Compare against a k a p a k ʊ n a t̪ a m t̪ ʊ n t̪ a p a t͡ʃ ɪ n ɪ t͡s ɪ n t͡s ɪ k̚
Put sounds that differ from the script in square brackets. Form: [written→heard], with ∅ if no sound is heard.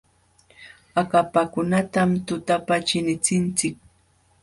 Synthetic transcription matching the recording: a k a p a k ʊ n a t̪ a m t̪ ʊ [n→∅] t̪ a p a t͡ʃ ɪ n ɪ t͡s ɪ n t͡s ɪ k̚